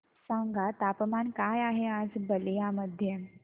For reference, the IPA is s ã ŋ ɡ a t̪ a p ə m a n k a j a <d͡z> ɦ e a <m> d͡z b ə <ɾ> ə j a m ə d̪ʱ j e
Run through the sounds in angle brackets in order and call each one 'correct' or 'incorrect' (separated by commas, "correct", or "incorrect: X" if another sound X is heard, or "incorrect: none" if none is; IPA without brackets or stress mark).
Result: incorrect: none, incorrect: none, incorrect: l